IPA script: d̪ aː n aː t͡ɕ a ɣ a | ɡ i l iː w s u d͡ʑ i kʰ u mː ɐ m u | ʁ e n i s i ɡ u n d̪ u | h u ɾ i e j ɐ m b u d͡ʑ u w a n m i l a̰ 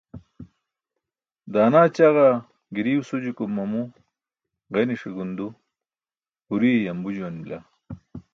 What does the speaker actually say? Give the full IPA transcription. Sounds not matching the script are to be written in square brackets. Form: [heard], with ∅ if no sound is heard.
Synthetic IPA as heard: d̪ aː n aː t͡ɕ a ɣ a | ɡ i [ɾ] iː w s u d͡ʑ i [k] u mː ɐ m u | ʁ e n i [ʂ] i ɡ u n d̪ u | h u ɾ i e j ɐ m b u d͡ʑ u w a n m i l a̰